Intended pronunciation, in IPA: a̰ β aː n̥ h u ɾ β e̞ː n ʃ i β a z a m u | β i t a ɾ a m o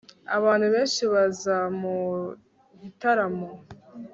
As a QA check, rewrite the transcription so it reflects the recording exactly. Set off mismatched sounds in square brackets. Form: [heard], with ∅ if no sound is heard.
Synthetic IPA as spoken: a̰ β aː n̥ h u [∅] β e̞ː n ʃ i β a z a m u | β i t a ɾ a m o